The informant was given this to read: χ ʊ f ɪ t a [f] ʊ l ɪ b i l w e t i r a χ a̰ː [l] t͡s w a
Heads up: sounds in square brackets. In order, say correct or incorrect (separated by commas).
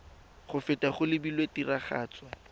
incorrect, incorrect